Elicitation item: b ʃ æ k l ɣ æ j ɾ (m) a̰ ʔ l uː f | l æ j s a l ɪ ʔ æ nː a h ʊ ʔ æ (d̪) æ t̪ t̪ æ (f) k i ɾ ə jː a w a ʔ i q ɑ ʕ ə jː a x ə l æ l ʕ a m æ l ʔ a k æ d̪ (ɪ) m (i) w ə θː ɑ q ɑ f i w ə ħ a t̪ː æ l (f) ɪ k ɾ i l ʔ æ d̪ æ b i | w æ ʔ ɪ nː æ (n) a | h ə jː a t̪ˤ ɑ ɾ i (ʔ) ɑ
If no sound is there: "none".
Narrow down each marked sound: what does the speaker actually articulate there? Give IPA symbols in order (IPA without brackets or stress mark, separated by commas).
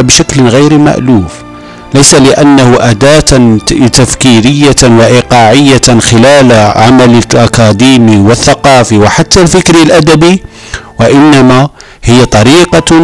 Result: m, d̪, f, i, i, f, m, q